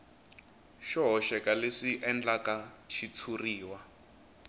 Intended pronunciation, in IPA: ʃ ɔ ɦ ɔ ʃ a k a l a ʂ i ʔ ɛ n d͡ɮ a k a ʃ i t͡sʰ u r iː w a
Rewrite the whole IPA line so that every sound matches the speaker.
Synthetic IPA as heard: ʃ ɔ ɦ ɔ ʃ ɛ k a l e ʂ i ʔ ɛ n d͡ɮ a k a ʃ i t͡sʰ u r iː w a

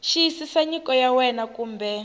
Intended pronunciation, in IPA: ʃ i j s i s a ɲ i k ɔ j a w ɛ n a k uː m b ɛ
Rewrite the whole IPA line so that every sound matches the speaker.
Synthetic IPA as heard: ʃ i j s i s a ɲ i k ɔ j a w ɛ n a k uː m b ɛ

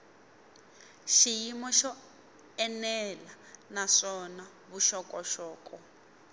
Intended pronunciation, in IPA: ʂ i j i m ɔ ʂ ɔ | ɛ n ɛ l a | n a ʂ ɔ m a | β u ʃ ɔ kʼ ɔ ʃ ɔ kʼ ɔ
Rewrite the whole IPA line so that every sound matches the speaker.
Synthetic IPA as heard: ʃ i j i m ɔ ʃ ɔ | ɛ n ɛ l a | n a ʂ ɔ n a | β u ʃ ɔ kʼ ɔ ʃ ɔː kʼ ɔ

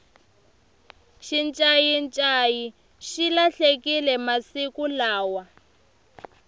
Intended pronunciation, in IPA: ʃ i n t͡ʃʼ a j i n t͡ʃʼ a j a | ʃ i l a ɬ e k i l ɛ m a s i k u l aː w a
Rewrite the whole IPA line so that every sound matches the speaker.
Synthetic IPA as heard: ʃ i n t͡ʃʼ a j i n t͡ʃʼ a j i | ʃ i l a ɬ e k i l ɛ m a s i k u l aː w a

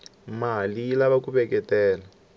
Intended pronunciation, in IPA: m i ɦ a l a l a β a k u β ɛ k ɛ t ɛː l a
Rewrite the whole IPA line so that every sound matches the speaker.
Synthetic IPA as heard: m a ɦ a l i l a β a k u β ɛ k ɛ t ɛː l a

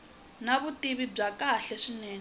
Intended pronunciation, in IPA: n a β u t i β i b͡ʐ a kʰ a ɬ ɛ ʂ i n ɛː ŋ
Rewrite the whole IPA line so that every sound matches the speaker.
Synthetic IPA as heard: n a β u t i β i b͡ʐ a k a ɬ ɛ ʂ i n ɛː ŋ

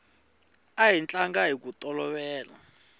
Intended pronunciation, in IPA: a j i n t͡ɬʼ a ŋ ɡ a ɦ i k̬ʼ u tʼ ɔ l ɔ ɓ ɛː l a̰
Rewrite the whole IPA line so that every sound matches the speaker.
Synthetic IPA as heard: a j i n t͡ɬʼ a ŋ ɡ a ɦ i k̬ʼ u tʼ ɔ l ɔ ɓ ɛː l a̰

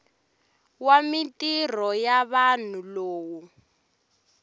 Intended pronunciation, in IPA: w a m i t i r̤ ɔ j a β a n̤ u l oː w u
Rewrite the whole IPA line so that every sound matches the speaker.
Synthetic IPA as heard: w a m i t i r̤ ɔ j a β a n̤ u l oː w u

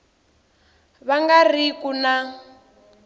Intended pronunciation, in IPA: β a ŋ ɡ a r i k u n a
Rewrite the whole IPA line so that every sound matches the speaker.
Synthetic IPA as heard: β a ŋ ɡ a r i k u n a

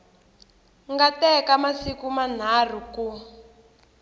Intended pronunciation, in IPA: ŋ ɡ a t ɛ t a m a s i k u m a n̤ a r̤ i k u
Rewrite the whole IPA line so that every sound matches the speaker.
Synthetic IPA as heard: ŋ ɡ a t ɛ k a m a s i k u m a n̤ a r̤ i k u

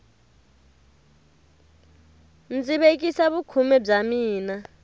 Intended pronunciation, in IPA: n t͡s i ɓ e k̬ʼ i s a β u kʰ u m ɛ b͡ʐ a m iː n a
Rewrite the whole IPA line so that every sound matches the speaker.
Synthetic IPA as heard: n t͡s i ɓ e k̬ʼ i s a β u kʰ u m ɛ b͡ʐ a m iː n a

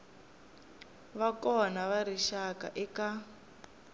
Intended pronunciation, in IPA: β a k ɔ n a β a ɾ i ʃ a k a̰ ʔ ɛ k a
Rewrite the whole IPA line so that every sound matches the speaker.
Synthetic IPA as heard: β a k ɔ n a β a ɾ i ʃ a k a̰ ʔ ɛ k a

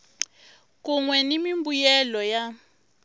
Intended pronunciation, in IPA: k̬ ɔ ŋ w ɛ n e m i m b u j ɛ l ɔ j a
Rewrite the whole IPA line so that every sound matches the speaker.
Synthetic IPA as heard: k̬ u ŋ w ɛ n i m i m b u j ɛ l ɔ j a

